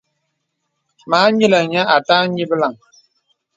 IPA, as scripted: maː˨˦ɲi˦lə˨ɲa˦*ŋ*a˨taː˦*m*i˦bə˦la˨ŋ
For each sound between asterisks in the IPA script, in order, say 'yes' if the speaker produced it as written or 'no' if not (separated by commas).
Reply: no, no